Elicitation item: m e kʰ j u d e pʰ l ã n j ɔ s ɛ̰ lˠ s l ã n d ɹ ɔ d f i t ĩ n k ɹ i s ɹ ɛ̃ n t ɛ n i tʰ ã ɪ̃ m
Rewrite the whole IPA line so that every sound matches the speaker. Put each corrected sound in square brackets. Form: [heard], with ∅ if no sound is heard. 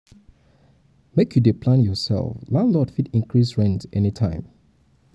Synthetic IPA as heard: m e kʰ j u d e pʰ l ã n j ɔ s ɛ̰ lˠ [f] l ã n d [l] ɔ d f i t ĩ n k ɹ i s ɹ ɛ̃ n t ɛ n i tʰ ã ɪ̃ m